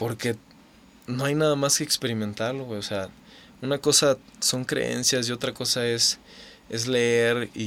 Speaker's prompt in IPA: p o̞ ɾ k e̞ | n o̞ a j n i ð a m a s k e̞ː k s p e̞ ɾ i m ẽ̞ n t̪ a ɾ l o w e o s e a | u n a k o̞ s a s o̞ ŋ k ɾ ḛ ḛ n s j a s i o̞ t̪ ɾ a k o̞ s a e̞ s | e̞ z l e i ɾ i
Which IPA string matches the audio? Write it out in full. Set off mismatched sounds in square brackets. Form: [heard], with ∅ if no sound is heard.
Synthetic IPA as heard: p o̞ ɾ k e̞ | n o̞ a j n [a] ð a m a s k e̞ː k s p e̞ ɾ i m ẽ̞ n t̪ a ɾ l o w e o s e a | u n a k o̞ s a s o̞ ŋ k ɾ ḛ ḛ n s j a s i o̞ t̪ ɾ a k o̞ s a e̞ s | e̞ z l e [e] ɾ i